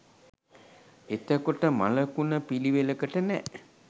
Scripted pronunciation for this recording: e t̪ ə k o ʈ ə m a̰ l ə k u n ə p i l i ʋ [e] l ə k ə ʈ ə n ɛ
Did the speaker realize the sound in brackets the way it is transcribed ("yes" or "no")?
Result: yes